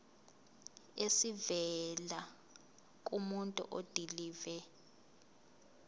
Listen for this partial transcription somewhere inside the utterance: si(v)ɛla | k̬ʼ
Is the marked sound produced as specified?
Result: yes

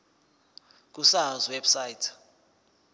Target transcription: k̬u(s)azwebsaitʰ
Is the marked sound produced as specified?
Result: yes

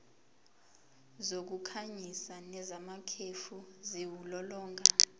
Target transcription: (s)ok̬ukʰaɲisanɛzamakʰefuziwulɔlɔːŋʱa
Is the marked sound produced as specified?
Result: no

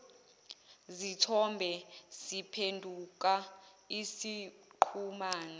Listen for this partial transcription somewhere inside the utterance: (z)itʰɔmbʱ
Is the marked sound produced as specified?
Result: yes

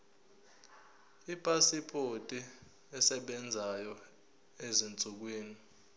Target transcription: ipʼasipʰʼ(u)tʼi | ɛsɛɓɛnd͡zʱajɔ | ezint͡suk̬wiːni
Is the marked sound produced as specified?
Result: no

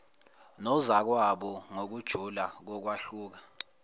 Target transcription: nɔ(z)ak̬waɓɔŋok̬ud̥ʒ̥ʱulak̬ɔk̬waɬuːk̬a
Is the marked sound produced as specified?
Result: yes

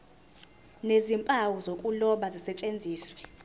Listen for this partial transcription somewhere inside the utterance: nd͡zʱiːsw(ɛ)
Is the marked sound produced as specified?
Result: yes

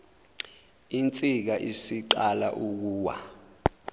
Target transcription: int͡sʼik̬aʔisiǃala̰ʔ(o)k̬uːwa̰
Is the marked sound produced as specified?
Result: no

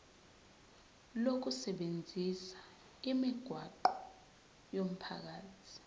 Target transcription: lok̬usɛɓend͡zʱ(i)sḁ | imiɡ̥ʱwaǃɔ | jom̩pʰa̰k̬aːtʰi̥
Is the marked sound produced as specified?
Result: yes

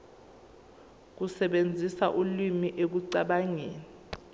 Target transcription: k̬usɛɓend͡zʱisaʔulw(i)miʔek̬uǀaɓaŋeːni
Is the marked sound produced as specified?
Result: yes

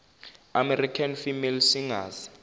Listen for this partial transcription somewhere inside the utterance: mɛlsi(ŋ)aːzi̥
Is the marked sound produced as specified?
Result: yes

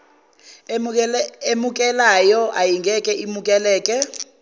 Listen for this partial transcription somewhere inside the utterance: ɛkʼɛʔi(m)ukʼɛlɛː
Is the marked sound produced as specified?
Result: yes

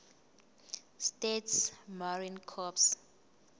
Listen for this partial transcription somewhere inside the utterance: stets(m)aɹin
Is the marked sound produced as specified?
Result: yes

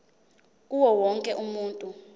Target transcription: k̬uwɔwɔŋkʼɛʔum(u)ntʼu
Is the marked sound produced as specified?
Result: no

